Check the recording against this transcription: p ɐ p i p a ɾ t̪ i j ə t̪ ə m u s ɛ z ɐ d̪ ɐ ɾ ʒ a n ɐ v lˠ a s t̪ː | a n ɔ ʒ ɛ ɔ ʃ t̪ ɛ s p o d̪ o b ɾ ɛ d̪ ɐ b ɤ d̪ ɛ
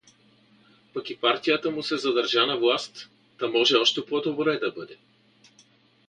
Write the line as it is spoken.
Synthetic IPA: p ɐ k i p a ɾ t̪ i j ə t̪ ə m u s ɛ z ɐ d̪ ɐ ɾ ʒ a n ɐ v lˠ a s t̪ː | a m ɔ ʒ ɛ ɔ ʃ t̪ ɛ p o d̪ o b ɾ ɛ d̪ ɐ b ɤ d̪ ɛ